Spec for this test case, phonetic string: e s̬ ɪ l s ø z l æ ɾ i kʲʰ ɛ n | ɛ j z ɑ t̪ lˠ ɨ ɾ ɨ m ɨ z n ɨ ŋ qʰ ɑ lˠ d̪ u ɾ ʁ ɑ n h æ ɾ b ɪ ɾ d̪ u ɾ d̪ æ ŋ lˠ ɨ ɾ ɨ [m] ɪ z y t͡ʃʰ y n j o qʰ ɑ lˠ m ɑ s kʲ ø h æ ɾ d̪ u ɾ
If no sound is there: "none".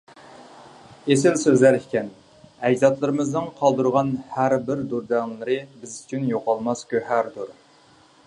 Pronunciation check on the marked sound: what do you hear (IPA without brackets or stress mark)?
b